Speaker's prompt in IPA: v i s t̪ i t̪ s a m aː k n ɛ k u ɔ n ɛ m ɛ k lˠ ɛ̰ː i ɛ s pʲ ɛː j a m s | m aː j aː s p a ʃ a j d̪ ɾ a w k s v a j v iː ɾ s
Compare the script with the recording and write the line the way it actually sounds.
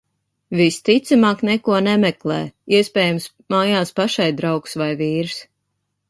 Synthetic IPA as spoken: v i s t̪ i t̪ s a m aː k n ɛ k u ɔ n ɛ m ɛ k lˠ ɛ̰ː i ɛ s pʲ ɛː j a m s | m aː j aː s p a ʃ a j d̪ ɾ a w k s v a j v iː ɾ s